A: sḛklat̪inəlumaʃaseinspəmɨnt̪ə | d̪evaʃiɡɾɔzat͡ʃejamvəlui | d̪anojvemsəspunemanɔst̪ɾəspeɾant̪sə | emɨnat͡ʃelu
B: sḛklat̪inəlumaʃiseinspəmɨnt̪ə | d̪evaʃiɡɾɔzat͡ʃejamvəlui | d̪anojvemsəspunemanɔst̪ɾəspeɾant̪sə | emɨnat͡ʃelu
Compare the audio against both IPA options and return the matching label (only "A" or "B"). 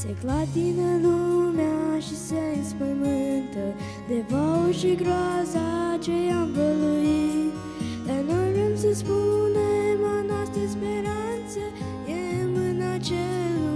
B